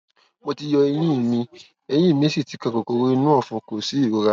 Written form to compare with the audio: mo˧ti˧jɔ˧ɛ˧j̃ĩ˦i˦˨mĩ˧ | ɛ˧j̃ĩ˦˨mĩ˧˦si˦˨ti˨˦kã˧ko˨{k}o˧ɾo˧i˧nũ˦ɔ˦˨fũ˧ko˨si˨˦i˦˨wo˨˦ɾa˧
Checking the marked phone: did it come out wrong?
no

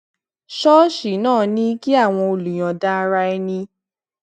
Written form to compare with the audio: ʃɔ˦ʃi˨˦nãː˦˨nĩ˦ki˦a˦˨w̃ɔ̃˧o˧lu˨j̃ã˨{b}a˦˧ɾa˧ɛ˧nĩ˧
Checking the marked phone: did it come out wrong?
yes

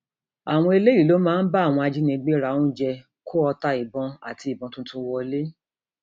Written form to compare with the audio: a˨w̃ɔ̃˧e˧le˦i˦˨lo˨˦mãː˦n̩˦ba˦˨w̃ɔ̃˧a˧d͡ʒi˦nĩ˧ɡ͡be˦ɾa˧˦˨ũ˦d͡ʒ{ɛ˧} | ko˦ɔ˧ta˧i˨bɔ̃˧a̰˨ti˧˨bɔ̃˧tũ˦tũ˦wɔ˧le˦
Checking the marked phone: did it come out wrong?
no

